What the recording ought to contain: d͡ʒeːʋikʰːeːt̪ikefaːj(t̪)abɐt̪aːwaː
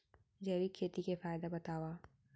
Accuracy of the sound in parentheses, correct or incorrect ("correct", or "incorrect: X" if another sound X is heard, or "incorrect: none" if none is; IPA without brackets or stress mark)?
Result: incorrect: d̪